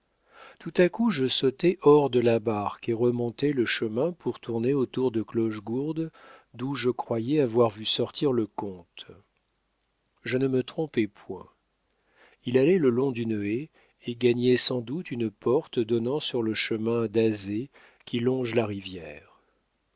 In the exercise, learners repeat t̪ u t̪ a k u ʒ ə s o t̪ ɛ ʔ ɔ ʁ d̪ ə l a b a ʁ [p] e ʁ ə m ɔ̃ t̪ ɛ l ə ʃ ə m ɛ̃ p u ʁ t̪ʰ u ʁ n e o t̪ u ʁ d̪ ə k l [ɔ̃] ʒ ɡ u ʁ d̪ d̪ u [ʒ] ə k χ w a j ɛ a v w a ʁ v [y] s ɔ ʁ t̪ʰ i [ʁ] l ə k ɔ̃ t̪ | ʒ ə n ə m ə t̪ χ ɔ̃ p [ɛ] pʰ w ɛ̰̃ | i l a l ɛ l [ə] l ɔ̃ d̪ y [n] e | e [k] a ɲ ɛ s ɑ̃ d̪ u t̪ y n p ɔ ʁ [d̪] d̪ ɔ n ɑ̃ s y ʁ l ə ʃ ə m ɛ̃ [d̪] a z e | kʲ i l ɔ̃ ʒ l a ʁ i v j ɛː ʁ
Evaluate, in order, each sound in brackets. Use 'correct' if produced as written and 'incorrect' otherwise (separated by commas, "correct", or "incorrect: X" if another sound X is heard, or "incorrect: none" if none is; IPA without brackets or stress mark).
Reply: incorrect: k, incorrect: ɔ, correct, correct, correct, correct, correct, correct, incorrect: ɡ, incorrect: t̪, correct